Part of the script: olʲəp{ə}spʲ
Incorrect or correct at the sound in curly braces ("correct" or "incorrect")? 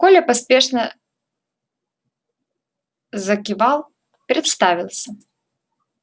incorrect